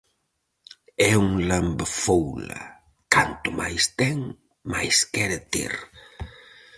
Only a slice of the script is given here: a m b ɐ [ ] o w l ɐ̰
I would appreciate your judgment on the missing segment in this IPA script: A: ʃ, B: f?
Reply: B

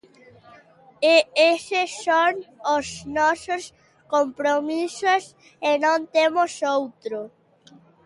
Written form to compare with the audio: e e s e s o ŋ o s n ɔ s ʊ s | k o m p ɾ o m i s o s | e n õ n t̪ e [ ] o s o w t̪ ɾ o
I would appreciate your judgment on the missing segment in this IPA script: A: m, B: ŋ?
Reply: A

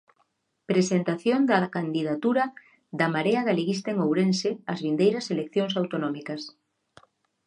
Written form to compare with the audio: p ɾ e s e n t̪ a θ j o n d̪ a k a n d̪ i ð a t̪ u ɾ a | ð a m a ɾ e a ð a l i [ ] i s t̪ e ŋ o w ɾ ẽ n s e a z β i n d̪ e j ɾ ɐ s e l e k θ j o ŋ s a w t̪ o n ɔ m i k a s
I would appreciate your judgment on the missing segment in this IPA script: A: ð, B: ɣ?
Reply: B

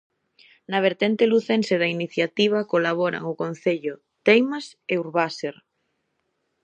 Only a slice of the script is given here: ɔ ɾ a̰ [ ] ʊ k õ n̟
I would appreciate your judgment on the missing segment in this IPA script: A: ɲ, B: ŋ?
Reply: B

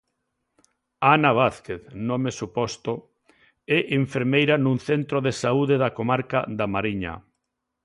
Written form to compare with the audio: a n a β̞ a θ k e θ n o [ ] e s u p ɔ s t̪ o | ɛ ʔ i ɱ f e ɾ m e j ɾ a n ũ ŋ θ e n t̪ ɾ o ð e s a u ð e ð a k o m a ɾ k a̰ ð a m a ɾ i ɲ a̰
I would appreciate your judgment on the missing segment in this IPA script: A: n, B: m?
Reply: B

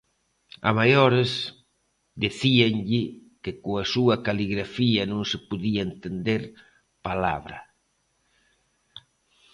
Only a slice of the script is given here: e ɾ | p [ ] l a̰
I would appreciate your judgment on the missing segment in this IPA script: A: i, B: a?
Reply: B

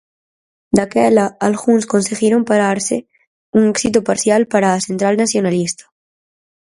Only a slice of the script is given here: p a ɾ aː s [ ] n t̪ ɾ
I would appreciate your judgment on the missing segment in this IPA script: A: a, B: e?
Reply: B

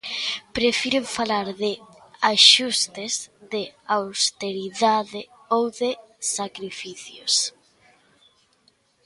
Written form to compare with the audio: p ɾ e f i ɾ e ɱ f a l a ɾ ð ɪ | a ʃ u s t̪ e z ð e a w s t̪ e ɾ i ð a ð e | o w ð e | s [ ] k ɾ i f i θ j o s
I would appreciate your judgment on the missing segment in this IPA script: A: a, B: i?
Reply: A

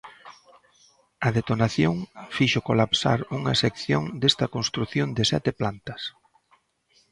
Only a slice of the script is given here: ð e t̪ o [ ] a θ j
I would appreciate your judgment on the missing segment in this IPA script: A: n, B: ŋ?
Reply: A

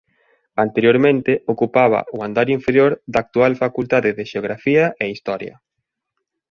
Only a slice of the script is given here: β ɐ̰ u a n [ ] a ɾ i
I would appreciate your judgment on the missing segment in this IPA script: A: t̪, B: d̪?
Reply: B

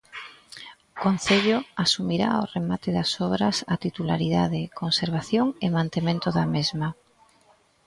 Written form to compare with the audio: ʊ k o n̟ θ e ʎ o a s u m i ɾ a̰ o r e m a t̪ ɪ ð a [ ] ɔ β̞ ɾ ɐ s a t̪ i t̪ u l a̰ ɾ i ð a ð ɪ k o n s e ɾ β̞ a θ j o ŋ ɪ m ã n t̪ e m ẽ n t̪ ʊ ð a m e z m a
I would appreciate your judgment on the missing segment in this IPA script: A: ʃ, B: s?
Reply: B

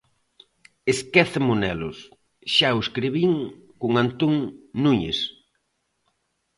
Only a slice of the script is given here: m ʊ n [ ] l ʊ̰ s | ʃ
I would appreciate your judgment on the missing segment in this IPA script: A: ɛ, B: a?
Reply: A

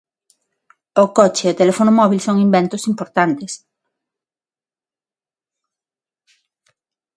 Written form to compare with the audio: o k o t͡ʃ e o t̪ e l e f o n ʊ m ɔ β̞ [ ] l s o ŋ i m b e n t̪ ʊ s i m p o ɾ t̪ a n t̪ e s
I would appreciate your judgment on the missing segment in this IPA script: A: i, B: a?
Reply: A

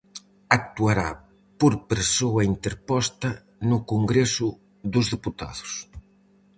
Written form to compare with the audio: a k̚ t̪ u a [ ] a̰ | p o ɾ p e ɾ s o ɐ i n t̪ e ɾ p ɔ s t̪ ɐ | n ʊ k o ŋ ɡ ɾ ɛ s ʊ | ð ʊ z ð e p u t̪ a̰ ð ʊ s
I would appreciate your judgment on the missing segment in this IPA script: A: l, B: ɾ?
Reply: B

